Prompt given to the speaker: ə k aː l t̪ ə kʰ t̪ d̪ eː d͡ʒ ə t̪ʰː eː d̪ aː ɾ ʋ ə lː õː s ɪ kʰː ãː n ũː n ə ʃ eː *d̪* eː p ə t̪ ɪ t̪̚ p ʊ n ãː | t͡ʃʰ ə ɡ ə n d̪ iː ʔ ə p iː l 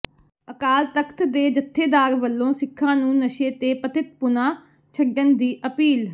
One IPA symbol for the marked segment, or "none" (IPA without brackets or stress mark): t̪